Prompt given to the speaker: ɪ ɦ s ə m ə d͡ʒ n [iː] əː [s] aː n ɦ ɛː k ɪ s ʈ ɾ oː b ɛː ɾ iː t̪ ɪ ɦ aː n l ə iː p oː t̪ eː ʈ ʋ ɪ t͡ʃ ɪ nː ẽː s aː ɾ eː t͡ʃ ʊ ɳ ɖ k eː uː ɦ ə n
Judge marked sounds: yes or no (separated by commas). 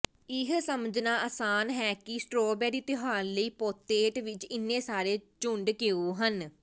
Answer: no, yes